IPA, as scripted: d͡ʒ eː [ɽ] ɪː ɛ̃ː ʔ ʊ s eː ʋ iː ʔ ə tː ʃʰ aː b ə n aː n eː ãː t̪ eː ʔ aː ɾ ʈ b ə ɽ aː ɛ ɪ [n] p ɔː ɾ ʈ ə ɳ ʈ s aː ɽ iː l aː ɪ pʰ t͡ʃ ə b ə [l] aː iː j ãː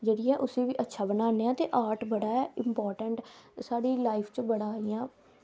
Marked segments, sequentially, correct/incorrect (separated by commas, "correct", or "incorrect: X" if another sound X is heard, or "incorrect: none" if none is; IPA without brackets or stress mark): correct, incorrect: m, incorrect: ɽ